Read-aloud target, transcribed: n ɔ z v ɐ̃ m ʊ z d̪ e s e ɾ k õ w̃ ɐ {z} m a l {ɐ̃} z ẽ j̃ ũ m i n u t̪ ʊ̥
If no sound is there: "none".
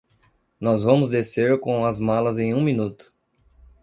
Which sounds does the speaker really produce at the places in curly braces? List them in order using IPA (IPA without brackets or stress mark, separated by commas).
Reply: z, ɐ